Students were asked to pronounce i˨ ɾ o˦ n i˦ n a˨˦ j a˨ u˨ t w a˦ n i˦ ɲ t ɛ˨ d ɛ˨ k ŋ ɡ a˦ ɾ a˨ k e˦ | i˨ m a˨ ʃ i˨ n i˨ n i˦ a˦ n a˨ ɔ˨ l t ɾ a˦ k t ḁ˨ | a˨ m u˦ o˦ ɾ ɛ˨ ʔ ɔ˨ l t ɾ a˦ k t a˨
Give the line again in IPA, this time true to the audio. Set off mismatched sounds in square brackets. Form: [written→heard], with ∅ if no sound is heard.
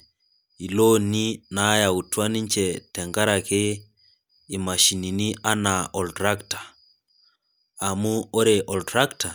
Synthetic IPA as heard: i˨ [ɾ→l] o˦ n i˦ n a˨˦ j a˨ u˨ t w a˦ n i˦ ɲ [t→t͡ʃ] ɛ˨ [d→t] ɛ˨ [k→∅] ŋ ɡ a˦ ɾ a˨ k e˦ | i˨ m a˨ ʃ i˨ n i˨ n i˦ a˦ n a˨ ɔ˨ l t ɾ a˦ k t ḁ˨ | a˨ m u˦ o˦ ɾ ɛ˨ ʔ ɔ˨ l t ɾ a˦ k t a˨

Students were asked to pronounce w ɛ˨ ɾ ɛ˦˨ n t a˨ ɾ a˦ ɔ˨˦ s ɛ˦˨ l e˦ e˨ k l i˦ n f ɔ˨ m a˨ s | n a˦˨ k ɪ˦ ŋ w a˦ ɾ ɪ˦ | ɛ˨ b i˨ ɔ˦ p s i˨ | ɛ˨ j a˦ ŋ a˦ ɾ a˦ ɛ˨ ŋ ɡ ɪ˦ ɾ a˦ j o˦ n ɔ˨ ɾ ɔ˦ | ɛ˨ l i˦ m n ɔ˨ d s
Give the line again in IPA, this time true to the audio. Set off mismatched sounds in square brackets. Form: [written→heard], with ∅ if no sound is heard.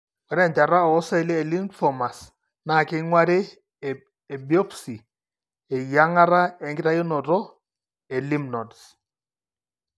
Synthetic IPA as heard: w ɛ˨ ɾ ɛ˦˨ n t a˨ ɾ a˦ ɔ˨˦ s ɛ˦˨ l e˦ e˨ [k→∅] l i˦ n f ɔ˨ m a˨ s | n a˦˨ k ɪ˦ ŋ w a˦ ɾ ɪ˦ | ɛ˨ b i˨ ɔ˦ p s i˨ | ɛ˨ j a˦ ŋ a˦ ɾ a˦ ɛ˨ ŋ ɡ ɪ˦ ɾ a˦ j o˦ n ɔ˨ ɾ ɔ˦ | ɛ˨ l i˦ m n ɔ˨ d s

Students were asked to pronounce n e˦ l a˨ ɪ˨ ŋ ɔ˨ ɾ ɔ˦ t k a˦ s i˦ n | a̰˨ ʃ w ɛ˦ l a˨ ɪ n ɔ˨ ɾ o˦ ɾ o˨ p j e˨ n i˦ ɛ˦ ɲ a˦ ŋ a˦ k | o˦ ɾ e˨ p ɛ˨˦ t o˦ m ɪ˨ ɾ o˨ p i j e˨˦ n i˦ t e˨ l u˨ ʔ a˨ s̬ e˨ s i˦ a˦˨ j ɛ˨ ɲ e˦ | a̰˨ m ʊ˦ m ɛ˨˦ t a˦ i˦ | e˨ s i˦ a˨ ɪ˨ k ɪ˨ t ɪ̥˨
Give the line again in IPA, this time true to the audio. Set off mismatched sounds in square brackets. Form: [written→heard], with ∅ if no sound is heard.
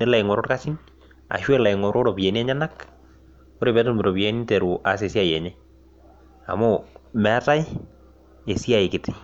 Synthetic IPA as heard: n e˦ l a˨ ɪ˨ ŋ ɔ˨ ɾ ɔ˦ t k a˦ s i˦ n | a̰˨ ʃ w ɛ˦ l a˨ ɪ [n→ŋ] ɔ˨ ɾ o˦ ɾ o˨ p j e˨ n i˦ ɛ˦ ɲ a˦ [ŋ→n] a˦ k | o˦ ɾ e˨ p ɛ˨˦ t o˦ m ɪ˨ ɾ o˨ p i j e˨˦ n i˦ t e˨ [l→ɾ] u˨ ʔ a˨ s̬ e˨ s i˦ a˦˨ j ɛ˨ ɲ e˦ | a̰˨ m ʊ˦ m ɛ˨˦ t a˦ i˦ | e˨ s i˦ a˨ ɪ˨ k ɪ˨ t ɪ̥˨

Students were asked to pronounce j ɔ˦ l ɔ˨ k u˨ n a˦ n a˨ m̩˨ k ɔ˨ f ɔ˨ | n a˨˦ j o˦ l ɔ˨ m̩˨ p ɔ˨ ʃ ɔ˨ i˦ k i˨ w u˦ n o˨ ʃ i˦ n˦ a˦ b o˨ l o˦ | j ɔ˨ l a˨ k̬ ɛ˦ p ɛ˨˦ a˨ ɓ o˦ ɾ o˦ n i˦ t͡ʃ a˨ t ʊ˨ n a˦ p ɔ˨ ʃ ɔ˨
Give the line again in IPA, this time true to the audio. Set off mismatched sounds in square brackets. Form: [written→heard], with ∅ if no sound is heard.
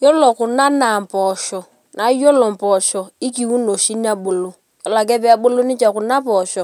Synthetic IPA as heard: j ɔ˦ l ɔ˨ k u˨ n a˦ n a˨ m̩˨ [k→p] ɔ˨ [f→ʃ] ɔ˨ | n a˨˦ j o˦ l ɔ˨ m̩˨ p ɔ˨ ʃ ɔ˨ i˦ k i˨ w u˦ n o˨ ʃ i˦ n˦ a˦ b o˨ l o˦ | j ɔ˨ l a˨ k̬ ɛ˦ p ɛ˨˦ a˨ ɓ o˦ [ɾ→l] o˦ n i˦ t͡ʃ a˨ [t→k] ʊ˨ n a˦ p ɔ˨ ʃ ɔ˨

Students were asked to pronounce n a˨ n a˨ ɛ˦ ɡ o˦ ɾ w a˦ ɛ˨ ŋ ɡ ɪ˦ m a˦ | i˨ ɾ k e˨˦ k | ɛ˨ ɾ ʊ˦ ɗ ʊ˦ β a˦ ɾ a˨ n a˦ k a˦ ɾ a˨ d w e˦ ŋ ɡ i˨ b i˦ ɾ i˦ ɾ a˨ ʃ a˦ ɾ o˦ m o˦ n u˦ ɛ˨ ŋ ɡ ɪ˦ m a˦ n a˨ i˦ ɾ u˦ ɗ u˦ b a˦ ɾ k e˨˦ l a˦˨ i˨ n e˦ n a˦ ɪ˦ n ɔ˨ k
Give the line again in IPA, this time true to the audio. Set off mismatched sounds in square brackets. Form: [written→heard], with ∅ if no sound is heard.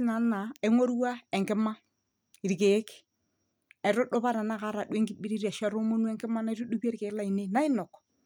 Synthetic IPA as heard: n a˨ n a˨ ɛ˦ [ɡ→ŋ] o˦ ɾ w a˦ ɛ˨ ŋ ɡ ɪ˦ m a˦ | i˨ ɾ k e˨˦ k | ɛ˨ ɾ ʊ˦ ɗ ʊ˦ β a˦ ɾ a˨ n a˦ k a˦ ɾ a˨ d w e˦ ŋ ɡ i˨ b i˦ ɾ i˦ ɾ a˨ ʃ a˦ ɾ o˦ m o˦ n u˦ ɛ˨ ŋ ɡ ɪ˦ m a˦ n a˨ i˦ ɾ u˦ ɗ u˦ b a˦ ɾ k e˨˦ l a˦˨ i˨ n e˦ n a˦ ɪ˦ n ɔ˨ k

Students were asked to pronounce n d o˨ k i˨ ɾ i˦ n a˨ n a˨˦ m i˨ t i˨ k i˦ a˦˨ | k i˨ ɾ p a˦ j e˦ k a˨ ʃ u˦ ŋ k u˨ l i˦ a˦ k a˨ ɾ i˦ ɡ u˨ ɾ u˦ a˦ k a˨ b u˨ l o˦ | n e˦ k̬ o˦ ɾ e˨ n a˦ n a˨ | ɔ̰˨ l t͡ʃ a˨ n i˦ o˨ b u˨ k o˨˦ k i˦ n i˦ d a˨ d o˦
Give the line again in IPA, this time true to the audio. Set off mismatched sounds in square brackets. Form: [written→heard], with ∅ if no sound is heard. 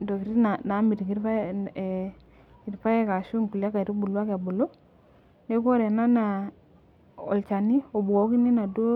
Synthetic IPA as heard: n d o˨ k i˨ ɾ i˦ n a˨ n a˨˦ m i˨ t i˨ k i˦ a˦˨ | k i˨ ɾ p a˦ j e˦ k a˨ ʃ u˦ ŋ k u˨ l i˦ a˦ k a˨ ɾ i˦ [ɡ→b] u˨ [ɾ→l] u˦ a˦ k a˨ b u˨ l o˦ | n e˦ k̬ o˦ ɾ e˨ n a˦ n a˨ | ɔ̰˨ l t͡ʃ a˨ n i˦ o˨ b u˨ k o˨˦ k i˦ n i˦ [d→n] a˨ d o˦

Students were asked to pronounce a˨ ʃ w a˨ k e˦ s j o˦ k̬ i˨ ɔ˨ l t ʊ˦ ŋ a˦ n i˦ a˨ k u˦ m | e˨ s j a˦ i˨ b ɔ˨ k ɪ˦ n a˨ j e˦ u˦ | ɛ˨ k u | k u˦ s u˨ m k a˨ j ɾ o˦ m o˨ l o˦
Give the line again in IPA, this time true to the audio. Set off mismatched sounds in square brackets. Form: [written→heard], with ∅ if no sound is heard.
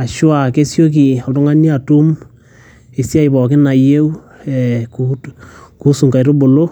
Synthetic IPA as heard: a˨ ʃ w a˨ k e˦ s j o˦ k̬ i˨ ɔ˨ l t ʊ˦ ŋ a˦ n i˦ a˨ [k→t] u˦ m | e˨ s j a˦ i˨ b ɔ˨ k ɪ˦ n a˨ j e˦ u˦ | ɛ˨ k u | k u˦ s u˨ [m→ŋ] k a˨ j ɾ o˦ [m→b] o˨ l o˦

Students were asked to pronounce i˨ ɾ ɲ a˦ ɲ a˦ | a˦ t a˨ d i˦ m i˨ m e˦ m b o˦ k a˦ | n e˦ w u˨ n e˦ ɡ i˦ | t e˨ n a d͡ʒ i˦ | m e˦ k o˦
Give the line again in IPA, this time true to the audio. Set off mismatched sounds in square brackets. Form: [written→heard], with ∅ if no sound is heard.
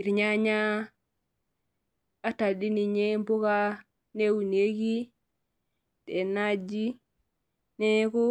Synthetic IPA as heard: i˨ ɾ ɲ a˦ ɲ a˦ | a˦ t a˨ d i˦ [m→n] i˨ [m→ɲ] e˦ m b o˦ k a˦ | n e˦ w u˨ n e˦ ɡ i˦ | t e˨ n a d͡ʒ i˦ | [m→n] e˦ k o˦

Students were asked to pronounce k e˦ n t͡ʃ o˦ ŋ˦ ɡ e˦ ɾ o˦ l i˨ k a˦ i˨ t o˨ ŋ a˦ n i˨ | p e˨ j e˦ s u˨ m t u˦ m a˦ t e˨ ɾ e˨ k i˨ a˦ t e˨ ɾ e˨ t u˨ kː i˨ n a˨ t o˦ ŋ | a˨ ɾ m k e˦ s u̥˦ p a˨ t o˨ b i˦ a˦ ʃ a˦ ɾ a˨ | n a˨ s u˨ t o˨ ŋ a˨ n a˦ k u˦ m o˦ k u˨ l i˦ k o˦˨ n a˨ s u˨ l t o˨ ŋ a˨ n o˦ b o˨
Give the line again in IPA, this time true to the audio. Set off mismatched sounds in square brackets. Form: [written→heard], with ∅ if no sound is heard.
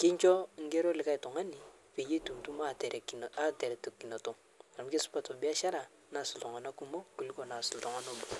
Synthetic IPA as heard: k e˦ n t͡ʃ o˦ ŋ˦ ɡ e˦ ɾ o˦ l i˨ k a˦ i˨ t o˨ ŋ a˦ n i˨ | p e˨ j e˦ [s→t] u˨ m t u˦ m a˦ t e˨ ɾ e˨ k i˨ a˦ t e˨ ɾ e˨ t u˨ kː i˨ n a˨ t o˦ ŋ | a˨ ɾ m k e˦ s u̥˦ p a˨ t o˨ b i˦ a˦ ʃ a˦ ɾ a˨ | n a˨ s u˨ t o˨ ŋ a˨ n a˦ k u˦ m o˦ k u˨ l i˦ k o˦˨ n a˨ s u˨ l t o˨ ŋ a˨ n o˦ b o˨

